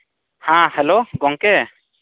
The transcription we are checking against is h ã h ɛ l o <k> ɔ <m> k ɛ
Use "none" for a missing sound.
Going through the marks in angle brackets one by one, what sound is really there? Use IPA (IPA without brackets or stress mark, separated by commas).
ɡ, ŋ